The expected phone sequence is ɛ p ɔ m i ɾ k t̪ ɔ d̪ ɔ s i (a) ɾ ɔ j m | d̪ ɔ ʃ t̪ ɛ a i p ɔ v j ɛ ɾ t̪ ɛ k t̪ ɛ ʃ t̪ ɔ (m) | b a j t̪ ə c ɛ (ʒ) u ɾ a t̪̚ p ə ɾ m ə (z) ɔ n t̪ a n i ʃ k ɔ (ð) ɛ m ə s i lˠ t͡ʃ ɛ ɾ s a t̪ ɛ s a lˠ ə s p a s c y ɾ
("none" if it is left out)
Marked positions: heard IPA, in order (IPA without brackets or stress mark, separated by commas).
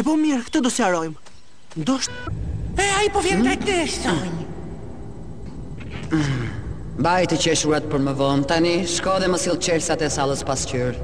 a, ɲ, ʃ, v, ð